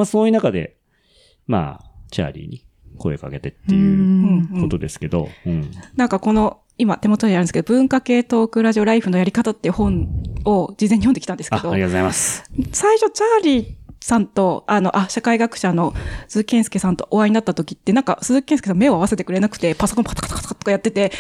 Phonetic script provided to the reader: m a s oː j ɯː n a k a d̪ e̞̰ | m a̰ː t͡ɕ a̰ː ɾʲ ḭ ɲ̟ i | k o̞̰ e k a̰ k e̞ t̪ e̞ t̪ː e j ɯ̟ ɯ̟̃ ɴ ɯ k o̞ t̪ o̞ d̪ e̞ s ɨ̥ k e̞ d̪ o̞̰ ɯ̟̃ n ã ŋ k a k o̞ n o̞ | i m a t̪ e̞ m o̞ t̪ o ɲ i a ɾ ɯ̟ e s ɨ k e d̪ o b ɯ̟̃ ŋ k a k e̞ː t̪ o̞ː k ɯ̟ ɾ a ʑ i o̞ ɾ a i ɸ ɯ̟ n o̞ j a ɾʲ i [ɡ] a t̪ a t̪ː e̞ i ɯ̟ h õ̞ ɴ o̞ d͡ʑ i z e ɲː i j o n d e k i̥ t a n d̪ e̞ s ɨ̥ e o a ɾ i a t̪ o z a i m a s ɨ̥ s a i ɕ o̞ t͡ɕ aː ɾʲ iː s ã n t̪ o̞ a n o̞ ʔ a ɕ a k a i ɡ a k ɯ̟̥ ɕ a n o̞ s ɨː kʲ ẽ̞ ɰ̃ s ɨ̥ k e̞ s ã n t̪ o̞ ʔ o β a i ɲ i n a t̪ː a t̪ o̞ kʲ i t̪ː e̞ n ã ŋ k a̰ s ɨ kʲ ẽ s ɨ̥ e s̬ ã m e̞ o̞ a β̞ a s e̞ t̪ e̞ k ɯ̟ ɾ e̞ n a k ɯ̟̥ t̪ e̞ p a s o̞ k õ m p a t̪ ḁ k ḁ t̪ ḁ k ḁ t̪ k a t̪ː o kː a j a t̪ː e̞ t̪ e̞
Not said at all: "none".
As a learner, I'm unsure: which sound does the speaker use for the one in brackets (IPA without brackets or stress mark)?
k